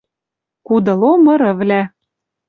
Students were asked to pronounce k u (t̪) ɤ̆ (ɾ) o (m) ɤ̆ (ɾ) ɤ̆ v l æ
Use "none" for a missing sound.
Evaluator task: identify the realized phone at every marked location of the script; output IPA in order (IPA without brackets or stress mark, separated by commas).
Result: d̪, l, m, ɾ